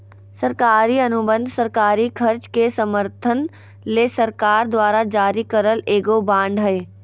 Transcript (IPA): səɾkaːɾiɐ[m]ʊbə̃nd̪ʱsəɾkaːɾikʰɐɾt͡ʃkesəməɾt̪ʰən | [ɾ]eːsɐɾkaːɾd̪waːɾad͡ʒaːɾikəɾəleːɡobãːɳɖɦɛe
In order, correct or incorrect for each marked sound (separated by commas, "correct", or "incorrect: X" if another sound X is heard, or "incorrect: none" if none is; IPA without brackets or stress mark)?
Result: incorrect: n, incorrect: l